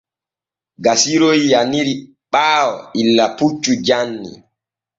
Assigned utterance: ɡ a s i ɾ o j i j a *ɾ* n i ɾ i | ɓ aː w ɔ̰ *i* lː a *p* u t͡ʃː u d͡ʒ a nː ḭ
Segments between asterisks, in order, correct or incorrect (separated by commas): incorrect, correct, correct